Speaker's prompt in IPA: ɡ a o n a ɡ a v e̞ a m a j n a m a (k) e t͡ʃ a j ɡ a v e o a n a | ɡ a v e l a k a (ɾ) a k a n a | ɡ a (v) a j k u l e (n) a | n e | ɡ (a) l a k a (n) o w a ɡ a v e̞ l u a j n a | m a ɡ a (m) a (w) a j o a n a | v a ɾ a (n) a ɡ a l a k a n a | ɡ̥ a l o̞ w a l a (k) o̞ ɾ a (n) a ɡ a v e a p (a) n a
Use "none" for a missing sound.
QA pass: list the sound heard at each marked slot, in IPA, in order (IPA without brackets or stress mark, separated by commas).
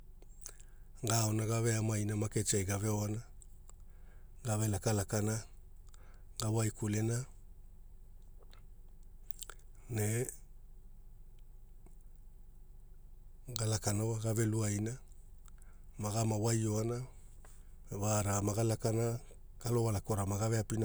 k, l, w, n, a, n, m, w, m, k, m, i